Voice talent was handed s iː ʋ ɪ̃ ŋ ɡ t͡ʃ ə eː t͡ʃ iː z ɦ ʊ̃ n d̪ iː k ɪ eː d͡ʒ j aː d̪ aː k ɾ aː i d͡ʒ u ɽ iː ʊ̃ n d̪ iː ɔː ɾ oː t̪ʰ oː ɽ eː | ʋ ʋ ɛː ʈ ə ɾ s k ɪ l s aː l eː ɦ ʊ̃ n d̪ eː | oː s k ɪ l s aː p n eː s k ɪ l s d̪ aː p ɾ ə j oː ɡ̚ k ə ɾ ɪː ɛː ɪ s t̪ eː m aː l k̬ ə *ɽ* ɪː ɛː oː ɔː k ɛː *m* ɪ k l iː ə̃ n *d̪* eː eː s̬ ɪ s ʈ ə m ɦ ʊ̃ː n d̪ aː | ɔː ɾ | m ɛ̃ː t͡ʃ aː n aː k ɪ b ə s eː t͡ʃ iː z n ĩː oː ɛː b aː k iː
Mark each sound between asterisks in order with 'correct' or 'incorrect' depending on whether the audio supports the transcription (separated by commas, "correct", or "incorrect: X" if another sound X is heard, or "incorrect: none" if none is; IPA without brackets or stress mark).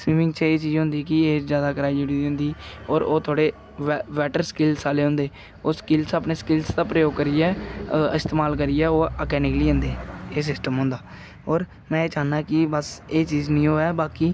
incorrect: ɾ, incorrect: n, correct